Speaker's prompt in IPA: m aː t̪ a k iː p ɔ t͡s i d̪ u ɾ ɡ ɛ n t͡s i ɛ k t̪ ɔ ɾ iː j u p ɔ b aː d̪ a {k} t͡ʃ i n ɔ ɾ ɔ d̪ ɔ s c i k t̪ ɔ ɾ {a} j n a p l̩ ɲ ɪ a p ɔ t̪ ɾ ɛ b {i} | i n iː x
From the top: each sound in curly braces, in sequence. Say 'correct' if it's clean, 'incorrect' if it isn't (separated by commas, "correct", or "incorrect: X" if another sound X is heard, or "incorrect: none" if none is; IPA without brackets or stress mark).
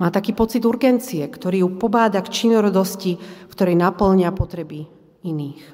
correct, incorrect: ɛ, correct